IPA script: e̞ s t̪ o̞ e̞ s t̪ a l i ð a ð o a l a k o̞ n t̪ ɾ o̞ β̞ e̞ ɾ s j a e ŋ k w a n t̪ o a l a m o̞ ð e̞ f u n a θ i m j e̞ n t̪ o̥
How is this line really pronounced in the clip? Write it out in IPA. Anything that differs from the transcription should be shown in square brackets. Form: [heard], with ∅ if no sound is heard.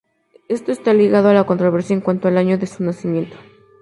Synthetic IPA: e̞ s t̪ o̞ e̞ s t̪ a l i [ɣ] a ð o a l a k o̞ n t̪ ɾ o̞ β̞ e̞ ɾ s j a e ŋ k w a n t̪ o a l a [ɲ] o̞ ð e̞ [s] u n a [s] i m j e̞ n t̪ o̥